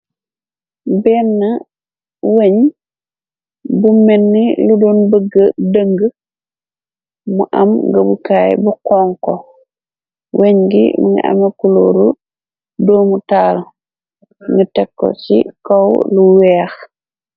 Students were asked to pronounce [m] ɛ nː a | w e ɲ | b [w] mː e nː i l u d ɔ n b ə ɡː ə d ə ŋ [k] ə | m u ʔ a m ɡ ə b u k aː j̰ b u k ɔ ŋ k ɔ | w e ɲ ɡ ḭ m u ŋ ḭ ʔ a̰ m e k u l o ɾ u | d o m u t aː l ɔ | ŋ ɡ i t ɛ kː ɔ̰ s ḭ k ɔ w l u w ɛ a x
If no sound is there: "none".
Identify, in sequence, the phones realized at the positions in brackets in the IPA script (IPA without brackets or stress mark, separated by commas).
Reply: b, u, ɡ